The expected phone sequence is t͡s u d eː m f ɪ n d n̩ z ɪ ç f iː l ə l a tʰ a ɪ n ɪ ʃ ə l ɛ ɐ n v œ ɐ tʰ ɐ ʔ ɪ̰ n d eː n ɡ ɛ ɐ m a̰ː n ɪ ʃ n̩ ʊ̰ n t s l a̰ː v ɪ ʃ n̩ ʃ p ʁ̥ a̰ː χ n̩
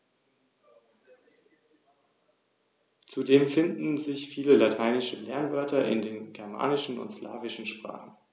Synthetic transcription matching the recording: t͡s u d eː m f ɪ n d n̩ z ɪ ç f iː l ə l a tʰ a ɪ n ɪ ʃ ə l ɛ ɐ n v œ ɐ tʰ ɐ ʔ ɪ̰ n d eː n ɡ ɛ ɐ m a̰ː n ɪ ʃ n̩ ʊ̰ n t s l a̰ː v ɪ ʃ n̩ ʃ p ʁ̥ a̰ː χ n̩